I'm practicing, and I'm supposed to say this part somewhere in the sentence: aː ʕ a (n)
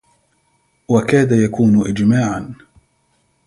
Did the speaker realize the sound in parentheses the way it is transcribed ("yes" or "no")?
yes